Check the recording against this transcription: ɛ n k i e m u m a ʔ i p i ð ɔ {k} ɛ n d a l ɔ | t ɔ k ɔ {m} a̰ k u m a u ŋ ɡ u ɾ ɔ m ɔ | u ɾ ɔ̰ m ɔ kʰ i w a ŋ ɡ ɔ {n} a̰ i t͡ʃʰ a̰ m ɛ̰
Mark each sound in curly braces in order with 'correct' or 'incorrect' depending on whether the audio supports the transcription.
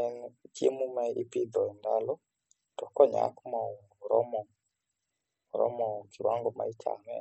incorrect: none, incorrect: ɲ, incorrect: m

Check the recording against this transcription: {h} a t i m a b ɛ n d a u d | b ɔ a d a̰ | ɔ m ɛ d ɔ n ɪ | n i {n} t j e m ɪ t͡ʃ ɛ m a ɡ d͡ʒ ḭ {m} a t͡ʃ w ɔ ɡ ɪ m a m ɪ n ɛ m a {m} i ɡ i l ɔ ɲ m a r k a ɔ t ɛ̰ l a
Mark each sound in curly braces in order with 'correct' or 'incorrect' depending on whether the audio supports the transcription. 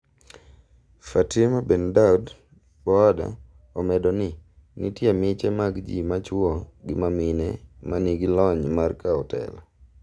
incorrect: f, incorrect: none, correct, incorrect: n

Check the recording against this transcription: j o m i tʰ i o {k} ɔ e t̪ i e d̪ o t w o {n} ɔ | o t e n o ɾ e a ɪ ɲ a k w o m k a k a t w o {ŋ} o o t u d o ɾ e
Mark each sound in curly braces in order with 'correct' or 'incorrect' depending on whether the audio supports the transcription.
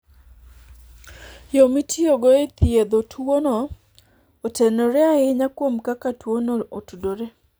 incorrect: ɡ, correct, incorrect: n

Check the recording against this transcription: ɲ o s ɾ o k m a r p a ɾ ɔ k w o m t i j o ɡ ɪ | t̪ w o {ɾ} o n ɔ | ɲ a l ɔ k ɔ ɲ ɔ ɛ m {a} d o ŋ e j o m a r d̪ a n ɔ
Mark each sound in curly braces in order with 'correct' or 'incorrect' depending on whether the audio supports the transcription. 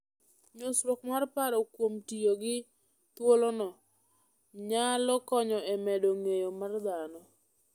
incorrect: l, incorrect: ɛ

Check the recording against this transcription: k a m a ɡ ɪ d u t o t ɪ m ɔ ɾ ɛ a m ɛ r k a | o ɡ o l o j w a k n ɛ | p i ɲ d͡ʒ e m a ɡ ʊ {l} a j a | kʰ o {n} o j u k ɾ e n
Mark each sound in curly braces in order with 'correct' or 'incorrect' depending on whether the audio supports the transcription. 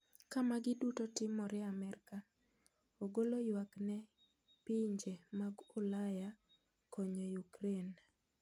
correct, incorrect: ɲ

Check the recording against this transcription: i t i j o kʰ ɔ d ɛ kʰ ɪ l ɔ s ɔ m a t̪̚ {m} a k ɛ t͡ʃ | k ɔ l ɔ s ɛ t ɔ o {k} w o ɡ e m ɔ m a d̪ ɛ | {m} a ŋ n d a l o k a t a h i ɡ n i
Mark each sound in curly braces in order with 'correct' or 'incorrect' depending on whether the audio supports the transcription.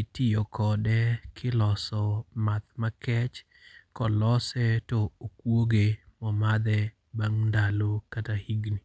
correct, correct, incorrect: b

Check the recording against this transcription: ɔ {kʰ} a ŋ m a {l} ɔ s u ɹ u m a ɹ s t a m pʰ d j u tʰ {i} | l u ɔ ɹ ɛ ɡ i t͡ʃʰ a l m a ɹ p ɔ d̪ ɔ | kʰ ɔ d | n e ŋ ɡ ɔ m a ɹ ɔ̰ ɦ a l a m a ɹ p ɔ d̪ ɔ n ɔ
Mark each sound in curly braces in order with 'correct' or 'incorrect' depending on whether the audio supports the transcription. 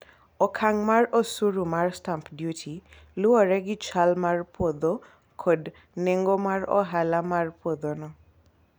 correct, incorrect: ɹ, correct

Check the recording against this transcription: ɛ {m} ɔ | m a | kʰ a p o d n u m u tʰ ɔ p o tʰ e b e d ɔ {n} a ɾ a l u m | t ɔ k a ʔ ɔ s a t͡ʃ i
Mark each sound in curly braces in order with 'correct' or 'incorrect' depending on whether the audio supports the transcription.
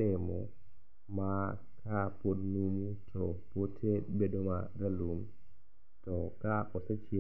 correct, incorrect: m

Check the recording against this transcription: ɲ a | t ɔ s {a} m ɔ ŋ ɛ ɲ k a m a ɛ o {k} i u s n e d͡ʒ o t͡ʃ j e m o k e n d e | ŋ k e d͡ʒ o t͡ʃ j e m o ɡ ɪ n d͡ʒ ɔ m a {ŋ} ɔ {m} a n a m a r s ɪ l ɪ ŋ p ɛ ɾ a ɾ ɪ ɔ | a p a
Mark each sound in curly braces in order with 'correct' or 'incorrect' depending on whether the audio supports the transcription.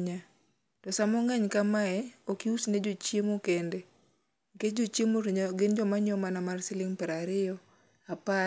correct, correct, incorrect: ɲ, correct

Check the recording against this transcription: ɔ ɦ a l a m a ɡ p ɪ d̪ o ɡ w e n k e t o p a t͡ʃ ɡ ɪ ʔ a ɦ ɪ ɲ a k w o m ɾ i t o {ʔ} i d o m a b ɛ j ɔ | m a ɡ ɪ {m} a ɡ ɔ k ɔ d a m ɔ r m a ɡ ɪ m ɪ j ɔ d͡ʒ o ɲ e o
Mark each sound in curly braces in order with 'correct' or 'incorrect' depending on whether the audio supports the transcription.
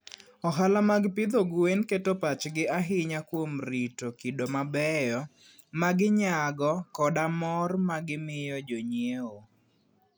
incorrect: k, incorrect: ɲ

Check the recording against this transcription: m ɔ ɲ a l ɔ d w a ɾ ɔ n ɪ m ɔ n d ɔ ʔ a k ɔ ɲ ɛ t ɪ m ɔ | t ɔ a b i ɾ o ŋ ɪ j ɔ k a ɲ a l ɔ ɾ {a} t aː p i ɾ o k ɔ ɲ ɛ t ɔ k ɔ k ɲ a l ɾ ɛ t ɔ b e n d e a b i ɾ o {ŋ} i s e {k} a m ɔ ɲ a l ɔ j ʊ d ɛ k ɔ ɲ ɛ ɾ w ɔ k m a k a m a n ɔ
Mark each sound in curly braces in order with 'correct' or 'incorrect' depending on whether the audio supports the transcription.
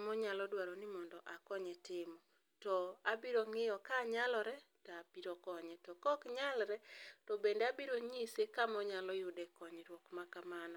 incorrect: ɛ, incorrect: ɲ, correct

